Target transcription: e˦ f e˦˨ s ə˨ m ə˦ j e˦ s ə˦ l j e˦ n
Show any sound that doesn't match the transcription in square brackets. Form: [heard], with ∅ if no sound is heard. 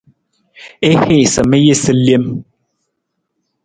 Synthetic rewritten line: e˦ [h] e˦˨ s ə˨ m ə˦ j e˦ s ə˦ l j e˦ [m]